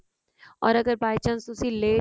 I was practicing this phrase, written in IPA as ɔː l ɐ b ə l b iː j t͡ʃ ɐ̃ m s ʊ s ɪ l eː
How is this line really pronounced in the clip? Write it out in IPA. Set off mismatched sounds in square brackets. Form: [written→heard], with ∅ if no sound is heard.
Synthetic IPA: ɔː [l→ɾ] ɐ [b→ɡ] ə [l→ɾ] b [iː→aː] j t͡ʃ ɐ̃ [m→n] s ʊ s [ɪ→i] l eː